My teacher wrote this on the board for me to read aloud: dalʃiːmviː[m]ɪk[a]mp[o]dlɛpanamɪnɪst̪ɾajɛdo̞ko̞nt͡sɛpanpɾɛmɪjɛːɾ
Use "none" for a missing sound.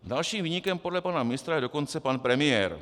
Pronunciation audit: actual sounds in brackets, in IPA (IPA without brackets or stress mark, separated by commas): ɲ, ɛ, o